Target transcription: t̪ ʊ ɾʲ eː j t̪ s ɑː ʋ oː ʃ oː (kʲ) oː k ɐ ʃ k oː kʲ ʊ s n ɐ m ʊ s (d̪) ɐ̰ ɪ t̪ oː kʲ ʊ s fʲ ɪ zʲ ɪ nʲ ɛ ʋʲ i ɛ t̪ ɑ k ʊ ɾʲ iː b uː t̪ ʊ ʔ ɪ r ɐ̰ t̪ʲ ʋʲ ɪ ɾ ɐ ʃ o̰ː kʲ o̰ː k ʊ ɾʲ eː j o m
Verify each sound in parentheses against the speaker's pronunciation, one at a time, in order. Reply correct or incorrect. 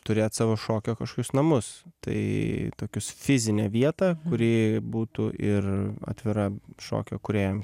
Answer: correct, incorrect: t̪

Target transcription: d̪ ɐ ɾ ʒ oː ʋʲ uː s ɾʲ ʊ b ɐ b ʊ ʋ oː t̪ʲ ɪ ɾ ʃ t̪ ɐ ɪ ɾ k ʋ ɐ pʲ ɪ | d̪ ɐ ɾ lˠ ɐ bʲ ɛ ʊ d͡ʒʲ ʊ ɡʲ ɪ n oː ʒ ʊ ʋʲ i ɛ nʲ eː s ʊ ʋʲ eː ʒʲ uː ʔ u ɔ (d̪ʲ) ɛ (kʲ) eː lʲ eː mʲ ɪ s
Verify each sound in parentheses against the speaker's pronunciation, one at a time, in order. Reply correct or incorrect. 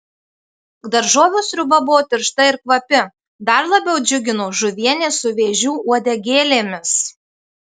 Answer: correct, incorrect: ɡʲ

